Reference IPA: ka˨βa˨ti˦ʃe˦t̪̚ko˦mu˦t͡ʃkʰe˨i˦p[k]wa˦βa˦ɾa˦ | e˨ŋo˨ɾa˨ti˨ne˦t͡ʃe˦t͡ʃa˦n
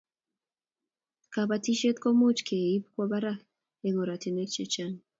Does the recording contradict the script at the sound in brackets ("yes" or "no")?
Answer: no